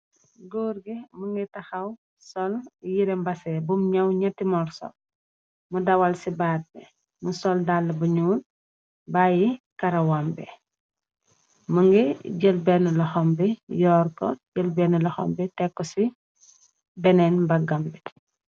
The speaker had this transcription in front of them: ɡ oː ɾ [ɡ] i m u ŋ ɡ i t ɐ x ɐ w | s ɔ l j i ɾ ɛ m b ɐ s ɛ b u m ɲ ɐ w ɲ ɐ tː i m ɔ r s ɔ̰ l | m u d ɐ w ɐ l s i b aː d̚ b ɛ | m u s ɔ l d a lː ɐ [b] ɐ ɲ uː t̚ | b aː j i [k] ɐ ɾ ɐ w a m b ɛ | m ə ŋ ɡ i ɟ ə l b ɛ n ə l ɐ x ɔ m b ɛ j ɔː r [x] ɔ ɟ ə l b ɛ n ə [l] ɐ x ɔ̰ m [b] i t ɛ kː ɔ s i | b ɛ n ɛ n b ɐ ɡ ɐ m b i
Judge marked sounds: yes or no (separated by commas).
yes, yes, yes, no, yes, yes